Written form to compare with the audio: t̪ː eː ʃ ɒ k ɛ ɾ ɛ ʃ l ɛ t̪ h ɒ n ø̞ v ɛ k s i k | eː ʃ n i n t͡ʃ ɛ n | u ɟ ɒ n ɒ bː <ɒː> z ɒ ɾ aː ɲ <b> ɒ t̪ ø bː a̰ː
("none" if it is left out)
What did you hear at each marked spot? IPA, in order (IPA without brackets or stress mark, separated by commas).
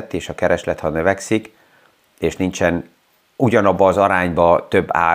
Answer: ɒː, b